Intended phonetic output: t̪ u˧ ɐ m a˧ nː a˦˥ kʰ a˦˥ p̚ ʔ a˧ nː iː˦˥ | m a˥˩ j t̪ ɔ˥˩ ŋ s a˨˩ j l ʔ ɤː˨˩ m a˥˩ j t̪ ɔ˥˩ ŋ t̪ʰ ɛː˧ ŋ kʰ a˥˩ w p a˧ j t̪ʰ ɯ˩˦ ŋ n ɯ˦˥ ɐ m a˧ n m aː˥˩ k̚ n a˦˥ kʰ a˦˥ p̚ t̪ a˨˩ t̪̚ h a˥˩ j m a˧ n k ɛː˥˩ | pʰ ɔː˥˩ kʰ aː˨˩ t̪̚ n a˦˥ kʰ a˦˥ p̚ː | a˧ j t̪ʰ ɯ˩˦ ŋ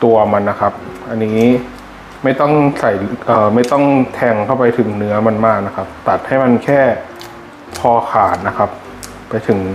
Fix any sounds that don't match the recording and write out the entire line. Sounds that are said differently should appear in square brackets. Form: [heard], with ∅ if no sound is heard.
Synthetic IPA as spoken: t̪ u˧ ɐ m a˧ nː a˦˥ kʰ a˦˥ p̚ ʔ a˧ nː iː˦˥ | m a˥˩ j t̪ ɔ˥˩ ŋ s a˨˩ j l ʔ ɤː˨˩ m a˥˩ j t̪ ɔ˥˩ ŋ t̪ʰ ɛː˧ ŋ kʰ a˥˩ w p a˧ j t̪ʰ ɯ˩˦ ŋ n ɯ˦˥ ɐ m a˧ n m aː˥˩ k̚ n a˦˥ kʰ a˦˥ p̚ t̪ a˨˩ t̪̚ h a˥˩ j m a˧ n [kʰ] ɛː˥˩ | pʰ [ɔː˧] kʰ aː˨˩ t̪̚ n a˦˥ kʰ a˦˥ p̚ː | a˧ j t̪ʰ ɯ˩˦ ŋ